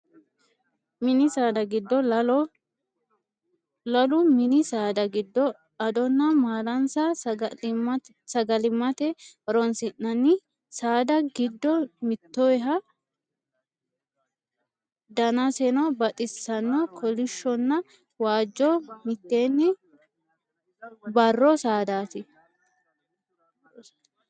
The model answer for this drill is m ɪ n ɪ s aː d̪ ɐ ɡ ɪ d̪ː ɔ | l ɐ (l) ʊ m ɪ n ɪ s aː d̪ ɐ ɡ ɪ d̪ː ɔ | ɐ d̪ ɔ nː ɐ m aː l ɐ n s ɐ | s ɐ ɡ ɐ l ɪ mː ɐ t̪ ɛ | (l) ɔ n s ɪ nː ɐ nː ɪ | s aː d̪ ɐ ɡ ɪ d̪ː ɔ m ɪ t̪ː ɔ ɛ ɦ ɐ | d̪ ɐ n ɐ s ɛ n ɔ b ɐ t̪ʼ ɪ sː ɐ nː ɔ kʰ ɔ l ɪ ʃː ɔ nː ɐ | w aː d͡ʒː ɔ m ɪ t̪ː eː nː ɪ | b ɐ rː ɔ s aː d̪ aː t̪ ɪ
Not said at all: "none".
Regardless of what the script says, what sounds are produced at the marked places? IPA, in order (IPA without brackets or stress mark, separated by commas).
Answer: l, ɾ